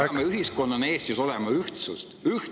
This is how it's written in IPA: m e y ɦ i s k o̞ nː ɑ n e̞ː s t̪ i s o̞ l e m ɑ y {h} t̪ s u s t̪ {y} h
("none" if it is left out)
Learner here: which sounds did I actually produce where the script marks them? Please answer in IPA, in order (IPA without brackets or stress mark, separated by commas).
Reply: h, y